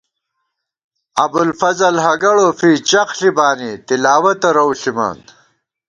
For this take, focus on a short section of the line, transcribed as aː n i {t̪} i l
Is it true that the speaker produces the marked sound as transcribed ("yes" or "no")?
yes